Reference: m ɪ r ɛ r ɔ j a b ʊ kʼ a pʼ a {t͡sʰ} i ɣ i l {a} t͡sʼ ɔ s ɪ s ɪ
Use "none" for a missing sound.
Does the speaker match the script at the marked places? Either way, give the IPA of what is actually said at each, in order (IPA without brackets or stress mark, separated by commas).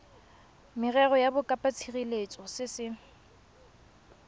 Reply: t͡sʰ, e